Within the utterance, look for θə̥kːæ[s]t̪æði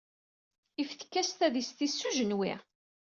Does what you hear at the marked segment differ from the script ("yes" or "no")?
no